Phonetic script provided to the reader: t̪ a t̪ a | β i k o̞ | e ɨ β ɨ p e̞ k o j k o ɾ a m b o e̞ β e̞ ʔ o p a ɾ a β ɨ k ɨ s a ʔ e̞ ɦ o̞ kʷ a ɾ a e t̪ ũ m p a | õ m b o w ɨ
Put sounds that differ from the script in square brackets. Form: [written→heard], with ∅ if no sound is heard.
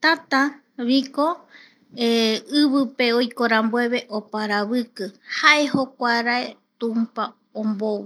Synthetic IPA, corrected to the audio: t̪ a t̪ a | β i k o̞ | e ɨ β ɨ p e̞ [k→∅] o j k o ɾ a m b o e̞ β e̞ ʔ o p a ɾ a β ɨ k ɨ [s→h] a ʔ e̞ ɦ o̞ kʷ a ɾ a e t̪ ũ m p a | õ m b o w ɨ